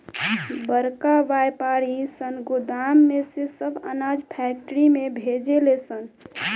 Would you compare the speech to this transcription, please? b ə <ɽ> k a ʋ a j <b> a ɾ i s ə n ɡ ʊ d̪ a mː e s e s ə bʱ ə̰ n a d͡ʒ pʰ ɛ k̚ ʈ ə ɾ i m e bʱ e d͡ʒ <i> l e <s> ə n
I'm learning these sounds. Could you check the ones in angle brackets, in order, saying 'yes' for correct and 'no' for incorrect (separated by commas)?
no, no, no, yes